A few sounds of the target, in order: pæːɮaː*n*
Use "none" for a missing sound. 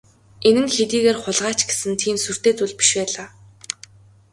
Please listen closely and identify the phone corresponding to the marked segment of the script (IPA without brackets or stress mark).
none